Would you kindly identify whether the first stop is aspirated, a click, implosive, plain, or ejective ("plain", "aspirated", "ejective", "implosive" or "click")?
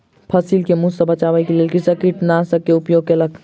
aspirated